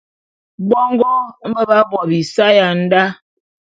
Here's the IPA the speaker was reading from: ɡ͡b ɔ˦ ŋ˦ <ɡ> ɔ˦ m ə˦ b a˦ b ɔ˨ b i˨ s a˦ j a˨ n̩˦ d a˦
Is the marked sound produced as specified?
yes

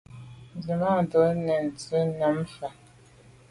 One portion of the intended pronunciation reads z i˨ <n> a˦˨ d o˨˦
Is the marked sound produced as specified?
no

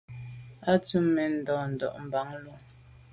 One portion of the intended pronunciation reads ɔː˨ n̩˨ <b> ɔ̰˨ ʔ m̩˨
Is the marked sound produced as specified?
no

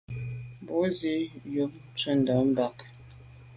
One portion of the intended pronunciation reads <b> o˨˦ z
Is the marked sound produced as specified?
yes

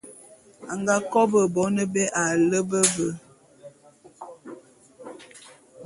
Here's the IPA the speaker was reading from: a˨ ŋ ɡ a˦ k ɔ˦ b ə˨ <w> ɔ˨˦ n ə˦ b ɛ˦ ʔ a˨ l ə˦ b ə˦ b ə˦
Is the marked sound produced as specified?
no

